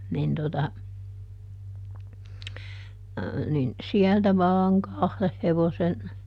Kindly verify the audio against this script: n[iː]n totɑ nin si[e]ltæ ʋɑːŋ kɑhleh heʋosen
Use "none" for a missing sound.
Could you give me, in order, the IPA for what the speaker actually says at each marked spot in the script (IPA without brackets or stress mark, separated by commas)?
i, æ